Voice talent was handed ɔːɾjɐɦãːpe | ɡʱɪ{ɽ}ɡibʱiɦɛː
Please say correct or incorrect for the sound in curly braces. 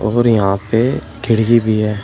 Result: correct